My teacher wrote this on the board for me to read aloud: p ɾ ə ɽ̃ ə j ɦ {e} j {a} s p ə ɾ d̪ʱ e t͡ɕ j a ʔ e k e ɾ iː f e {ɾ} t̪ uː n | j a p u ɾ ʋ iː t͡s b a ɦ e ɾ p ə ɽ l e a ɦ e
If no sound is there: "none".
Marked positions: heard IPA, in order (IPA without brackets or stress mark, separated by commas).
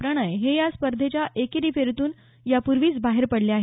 e, a, ɾ